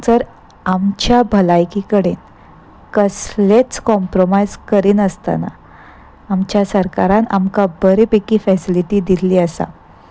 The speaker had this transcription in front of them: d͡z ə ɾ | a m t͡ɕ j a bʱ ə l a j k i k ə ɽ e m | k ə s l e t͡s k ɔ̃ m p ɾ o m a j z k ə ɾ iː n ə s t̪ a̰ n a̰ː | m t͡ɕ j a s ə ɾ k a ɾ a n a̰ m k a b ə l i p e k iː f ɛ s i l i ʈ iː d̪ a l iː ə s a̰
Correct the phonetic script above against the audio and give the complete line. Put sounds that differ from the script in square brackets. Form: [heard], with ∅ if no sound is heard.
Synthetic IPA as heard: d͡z ə ɾ | a m t͡ɕ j a bʱ ə l a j k i k ə ɽ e [n] | k ə s l e t͡s k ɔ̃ m p ɾ o m a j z k ə ɾ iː n ə s t̪ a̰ n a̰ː | m t͡ɕ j a s ə ɾ k a ɾ a n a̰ m k a b ə [ɾ] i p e k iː f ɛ s i l i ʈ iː d̪ [i] l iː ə s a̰